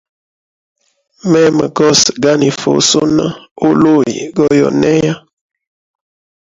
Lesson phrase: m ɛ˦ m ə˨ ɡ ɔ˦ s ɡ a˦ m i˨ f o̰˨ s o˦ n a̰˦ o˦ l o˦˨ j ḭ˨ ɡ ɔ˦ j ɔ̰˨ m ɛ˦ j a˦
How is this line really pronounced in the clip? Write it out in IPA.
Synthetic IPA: m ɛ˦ m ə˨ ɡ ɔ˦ s ɡ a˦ n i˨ f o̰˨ s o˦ n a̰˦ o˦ l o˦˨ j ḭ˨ ɡ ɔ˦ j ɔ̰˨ n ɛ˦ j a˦